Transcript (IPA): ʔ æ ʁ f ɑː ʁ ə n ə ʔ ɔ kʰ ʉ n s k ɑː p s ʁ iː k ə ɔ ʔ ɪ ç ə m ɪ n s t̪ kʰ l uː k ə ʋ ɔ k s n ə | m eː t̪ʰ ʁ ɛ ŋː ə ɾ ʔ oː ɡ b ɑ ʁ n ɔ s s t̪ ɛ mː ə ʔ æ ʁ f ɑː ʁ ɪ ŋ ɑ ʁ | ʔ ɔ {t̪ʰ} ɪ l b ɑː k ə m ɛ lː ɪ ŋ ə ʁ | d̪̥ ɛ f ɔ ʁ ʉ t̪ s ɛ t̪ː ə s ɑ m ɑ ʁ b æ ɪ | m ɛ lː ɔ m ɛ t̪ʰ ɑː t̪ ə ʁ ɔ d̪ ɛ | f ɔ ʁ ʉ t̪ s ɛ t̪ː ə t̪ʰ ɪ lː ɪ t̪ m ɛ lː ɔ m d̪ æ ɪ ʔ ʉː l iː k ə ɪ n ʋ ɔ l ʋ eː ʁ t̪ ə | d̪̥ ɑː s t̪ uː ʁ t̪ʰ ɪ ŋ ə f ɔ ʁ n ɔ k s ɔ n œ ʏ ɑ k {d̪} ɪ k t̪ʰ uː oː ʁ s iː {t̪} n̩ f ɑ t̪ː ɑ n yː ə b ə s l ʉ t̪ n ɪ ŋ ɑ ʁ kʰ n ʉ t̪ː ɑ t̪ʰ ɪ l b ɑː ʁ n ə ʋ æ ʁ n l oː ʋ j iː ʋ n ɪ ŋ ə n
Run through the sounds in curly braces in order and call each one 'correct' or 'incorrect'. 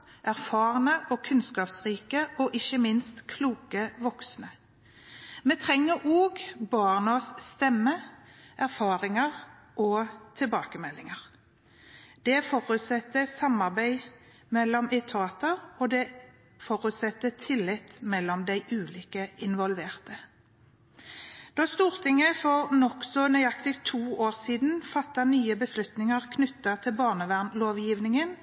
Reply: correct, incorrect: t̪, incorrect: d̪

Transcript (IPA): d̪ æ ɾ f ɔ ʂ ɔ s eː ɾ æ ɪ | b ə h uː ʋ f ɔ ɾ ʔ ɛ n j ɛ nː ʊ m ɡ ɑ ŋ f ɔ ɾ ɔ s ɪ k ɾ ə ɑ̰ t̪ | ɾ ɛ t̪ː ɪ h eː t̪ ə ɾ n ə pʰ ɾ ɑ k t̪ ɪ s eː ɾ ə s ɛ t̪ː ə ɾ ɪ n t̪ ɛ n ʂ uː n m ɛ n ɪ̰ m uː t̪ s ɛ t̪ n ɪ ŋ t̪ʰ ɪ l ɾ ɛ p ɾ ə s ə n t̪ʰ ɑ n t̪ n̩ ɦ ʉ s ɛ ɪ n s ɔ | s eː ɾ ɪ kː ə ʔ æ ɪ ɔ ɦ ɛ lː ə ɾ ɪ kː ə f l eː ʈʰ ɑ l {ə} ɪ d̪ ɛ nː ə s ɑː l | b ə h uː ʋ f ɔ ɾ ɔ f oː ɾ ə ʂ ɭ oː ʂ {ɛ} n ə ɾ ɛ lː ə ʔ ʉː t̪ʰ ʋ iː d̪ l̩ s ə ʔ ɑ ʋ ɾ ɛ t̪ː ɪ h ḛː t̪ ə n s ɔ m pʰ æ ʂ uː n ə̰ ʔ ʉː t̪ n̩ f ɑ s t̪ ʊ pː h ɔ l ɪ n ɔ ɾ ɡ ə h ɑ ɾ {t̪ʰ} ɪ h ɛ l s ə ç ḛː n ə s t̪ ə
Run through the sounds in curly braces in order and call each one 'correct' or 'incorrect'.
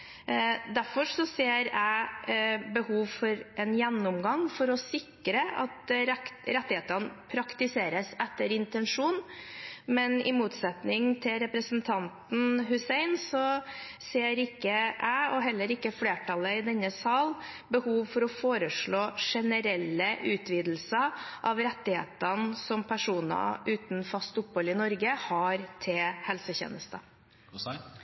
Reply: correct, correct, correct

